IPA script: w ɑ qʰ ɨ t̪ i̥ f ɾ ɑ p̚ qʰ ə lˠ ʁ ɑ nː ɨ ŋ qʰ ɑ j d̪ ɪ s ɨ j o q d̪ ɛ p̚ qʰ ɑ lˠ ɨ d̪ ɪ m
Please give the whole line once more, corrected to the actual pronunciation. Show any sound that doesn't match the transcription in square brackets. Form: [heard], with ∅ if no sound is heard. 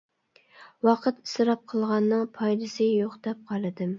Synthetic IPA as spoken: w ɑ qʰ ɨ t̪ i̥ [s] ɾ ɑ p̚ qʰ ə lˠ ʁ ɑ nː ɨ ŋ [pʰ] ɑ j d̪ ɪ s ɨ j o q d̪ ɛ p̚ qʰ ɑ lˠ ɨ d̪ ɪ m